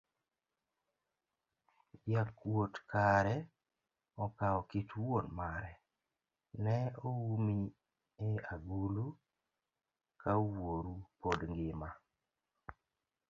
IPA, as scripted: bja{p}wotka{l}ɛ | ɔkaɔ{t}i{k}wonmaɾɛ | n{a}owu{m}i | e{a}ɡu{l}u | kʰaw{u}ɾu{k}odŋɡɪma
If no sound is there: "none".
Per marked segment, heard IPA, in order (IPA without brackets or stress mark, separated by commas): k, ɾ, k, t, ɛ, m, a, l, o, p